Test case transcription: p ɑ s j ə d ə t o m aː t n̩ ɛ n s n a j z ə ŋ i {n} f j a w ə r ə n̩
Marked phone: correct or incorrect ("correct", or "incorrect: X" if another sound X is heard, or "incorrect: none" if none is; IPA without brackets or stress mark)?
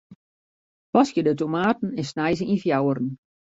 correct